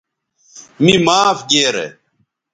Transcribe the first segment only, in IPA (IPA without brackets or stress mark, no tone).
m